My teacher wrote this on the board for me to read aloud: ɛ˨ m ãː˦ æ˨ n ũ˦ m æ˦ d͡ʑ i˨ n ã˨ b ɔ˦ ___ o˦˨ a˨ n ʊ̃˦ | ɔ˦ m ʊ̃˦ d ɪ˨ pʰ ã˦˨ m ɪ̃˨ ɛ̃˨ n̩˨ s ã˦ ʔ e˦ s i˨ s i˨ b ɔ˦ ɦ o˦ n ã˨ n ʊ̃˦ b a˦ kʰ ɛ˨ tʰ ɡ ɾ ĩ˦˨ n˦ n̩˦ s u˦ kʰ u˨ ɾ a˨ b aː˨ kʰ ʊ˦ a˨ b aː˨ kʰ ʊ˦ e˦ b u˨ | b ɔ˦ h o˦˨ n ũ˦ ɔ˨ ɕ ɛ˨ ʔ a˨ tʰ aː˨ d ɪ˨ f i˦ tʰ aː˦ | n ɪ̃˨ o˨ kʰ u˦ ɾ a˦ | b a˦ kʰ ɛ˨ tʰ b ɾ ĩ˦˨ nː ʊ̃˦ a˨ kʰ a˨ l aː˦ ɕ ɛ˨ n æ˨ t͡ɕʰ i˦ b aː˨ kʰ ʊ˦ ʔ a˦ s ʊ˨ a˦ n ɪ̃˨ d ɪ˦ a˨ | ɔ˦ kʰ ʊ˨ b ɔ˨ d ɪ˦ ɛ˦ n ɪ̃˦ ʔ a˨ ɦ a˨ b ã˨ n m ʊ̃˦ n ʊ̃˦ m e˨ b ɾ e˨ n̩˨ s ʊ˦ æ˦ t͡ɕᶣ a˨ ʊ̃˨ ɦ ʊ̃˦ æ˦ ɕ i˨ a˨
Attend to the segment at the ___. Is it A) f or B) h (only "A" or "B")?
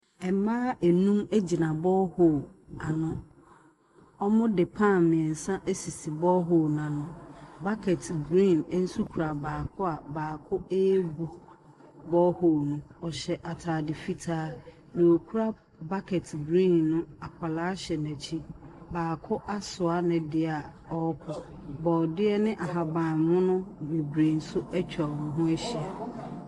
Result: B